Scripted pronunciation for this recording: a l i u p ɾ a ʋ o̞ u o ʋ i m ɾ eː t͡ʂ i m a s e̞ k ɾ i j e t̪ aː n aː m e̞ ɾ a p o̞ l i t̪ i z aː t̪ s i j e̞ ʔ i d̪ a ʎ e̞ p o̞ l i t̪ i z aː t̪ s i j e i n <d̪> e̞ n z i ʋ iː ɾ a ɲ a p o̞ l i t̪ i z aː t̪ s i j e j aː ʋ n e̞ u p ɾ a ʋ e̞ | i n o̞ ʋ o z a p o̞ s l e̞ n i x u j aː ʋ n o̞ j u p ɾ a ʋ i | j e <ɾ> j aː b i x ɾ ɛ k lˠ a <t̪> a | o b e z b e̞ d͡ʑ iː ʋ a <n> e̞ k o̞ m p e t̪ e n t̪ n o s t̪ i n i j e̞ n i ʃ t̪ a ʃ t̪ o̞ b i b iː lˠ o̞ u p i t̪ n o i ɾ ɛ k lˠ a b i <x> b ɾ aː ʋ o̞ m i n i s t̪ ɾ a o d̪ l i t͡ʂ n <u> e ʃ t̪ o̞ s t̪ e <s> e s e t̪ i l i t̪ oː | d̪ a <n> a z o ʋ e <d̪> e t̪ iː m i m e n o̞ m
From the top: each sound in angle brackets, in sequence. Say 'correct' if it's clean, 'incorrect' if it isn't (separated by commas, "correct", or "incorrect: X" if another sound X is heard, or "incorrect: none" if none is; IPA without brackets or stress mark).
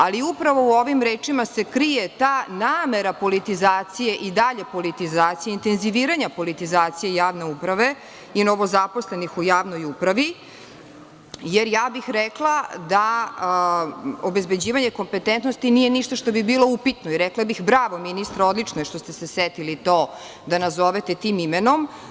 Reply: incorrect: t̪, correct, incorrect: d̪, incorrect: ɲ, correct, incorrect: o, correct, correct, incorrect: t̪